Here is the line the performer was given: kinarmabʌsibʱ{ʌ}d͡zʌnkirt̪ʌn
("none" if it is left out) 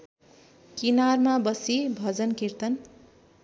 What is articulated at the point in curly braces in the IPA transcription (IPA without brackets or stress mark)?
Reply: ʌ